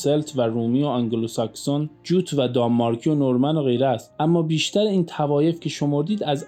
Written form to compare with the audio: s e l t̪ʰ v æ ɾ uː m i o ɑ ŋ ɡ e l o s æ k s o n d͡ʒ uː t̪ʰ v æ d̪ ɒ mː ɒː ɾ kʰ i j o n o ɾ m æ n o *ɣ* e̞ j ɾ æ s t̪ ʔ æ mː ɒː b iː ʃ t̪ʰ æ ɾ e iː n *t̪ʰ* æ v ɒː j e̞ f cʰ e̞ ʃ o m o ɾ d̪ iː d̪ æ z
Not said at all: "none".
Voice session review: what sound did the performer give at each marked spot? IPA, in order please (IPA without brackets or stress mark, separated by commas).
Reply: ɣ, t̪ʰ